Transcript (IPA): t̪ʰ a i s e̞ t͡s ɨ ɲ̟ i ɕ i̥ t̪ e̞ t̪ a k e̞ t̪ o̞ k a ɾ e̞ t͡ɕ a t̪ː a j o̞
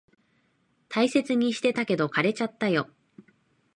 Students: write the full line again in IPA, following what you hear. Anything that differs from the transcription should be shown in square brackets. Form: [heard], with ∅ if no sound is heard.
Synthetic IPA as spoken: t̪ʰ a i s e̞ t͡s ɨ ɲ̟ i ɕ i̥ t̪ e̞ t̪ a k e̞ [d̪] o̞ k a ɾ e̞ t͡ɕ a t̪ː a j o̞